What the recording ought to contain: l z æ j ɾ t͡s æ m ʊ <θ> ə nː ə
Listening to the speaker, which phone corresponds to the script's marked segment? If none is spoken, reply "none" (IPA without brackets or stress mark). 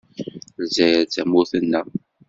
θ